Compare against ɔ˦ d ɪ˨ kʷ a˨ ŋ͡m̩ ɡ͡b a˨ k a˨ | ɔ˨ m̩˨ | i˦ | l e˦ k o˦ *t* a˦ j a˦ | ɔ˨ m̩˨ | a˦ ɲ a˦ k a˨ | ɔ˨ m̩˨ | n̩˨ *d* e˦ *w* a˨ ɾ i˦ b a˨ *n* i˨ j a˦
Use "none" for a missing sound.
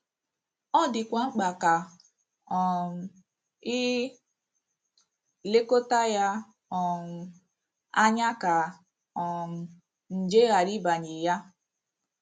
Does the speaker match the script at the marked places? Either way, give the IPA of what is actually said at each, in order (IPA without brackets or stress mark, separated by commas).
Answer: t, d͡ʒ, ɣ, ɲ